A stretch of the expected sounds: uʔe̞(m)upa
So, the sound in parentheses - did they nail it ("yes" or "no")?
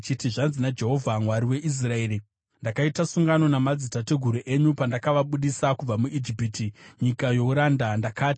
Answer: no